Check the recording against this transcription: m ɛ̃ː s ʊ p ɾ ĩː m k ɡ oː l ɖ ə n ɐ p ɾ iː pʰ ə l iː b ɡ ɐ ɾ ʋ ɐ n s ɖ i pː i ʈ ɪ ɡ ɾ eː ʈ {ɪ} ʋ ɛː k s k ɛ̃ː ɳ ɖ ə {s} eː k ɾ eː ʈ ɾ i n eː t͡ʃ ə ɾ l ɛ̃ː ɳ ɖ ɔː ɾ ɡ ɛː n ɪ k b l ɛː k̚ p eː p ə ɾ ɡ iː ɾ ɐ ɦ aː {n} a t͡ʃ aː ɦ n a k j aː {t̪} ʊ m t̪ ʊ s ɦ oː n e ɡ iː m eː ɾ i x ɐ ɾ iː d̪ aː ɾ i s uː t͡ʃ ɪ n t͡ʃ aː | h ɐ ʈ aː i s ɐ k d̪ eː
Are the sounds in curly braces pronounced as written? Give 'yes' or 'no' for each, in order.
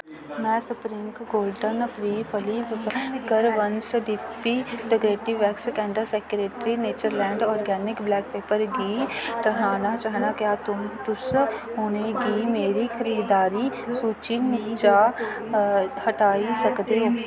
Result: no, yes, yes, yes

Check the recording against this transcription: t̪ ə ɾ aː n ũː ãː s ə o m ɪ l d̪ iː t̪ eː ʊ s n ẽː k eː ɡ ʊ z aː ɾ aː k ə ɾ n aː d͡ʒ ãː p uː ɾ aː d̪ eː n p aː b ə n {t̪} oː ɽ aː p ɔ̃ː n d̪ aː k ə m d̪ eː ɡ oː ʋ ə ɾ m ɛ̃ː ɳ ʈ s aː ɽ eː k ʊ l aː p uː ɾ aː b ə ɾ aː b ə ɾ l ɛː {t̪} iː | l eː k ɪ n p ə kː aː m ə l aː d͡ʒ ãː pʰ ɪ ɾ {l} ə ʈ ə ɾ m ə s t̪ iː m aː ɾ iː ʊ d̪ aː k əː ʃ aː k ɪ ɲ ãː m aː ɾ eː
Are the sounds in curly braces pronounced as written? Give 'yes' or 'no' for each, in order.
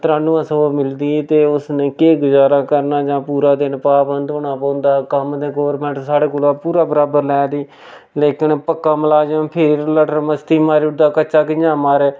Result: no, no, yes

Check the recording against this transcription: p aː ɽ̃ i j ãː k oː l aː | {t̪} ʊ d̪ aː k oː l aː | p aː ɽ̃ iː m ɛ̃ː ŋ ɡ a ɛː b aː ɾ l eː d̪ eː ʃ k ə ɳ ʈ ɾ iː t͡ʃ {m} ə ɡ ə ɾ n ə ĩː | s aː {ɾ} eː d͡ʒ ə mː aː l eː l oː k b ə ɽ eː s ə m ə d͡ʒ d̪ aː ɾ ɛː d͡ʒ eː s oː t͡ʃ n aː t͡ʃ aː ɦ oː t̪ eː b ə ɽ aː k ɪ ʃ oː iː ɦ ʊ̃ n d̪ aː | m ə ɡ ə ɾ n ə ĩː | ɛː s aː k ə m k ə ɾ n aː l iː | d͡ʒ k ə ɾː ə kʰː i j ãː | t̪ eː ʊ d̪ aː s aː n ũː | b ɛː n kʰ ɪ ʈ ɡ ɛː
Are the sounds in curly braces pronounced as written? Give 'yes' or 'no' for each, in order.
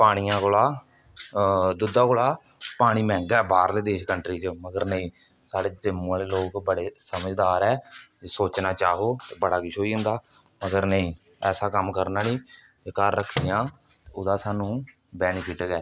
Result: no, yes, no

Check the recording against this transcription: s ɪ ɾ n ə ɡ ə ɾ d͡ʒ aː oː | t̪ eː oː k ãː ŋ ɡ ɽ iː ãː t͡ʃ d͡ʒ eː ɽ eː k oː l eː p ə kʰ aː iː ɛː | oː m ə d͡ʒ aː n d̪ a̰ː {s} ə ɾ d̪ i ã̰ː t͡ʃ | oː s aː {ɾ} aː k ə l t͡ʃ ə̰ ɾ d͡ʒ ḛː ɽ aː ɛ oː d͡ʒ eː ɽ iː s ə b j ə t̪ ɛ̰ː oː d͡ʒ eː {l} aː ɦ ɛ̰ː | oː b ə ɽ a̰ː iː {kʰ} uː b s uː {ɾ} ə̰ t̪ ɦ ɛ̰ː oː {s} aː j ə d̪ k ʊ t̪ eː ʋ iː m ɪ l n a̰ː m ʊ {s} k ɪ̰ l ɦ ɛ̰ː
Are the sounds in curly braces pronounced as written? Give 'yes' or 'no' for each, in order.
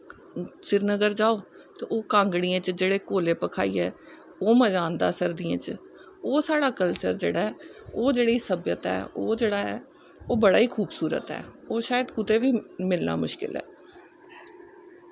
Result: yes, no, no, yes, yes, no, no

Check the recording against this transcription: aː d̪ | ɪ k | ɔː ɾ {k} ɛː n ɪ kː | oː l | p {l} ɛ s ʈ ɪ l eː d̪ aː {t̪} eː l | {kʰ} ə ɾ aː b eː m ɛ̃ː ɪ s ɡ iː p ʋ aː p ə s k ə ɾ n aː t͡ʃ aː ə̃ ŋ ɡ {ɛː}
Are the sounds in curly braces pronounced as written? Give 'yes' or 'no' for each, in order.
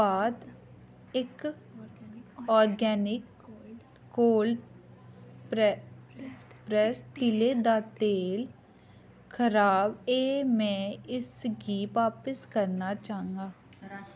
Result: no, no, yes, yes, no

